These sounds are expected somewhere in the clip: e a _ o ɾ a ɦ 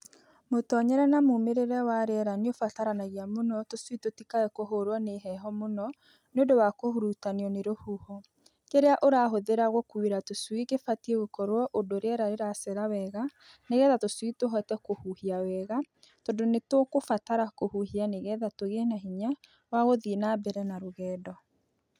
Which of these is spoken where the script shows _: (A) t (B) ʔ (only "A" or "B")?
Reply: B